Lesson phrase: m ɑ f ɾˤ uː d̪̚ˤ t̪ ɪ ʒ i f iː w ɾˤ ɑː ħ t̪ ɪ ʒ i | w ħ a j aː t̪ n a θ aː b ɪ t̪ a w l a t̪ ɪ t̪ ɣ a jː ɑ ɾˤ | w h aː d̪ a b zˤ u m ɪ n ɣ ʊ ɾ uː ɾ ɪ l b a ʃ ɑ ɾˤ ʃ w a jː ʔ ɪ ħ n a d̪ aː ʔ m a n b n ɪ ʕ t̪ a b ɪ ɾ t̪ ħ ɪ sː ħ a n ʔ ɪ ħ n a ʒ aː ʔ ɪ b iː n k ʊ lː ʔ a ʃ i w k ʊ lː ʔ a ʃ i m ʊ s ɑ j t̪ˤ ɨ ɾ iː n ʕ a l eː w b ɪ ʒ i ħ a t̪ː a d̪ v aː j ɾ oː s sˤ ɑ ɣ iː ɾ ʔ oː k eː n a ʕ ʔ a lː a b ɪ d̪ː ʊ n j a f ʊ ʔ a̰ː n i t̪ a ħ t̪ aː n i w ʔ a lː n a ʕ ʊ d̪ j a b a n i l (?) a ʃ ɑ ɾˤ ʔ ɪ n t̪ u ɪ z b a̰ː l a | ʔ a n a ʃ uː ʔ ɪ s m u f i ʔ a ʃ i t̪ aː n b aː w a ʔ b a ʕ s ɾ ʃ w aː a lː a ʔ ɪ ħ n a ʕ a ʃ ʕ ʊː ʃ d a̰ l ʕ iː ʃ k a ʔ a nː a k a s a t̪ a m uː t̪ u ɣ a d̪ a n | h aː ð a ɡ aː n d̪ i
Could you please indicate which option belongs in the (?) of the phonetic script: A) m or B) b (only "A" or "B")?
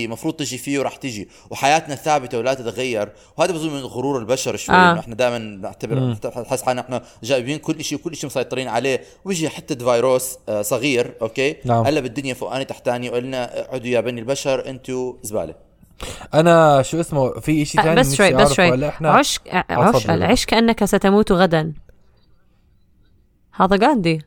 B